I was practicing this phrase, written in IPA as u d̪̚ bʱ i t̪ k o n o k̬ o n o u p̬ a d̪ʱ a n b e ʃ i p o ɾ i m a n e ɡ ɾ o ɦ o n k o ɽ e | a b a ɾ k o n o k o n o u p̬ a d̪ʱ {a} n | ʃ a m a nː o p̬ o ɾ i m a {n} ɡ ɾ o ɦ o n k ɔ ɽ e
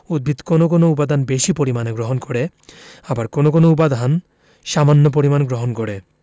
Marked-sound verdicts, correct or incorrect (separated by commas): correct, correct